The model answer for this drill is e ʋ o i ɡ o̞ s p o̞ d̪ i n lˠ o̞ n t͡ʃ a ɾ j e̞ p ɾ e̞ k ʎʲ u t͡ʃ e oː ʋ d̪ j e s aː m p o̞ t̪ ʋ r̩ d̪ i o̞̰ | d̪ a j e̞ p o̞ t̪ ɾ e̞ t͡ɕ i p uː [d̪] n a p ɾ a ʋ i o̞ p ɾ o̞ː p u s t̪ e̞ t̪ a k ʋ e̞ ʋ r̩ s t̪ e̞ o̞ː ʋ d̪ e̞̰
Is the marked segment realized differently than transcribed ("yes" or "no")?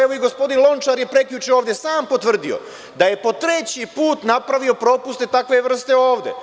yes